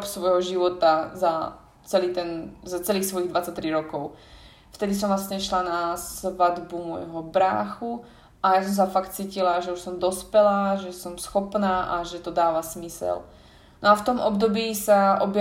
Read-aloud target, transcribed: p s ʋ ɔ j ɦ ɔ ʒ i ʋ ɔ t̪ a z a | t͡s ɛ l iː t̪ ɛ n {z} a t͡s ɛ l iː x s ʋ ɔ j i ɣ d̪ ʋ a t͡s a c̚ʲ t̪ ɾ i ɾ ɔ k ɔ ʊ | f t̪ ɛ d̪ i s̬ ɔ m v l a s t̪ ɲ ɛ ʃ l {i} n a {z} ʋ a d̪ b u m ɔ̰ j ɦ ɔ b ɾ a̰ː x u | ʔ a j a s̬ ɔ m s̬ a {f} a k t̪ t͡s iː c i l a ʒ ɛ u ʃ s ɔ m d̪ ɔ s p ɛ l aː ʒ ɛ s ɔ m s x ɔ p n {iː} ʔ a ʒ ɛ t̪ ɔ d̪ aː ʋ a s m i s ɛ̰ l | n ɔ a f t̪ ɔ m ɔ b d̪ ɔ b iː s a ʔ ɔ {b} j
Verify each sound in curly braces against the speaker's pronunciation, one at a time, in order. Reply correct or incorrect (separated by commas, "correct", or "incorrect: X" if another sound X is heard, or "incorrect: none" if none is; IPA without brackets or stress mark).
correct, incorrect: a, incorrect: s, correct, incorrect: aː, correct